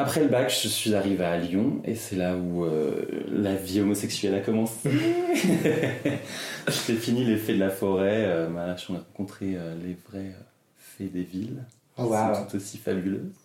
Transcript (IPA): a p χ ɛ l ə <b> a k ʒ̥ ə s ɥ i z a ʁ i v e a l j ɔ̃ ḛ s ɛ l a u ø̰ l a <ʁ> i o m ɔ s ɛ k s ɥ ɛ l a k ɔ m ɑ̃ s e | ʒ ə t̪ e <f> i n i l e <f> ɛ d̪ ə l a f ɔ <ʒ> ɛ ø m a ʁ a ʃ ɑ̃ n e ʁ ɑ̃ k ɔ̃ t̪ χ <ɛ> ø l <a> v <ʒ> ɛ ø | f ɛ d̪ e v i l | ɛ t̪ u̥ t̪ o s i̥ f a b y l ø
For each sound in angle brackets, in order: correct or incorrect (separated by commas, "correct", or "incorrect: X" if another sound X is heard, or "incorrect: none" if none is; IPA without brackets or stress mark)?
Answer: correct, incorrect: v, correct, correct, incorrect: ʁ, incorrect: e, incorrect: e, incorrect: ʁ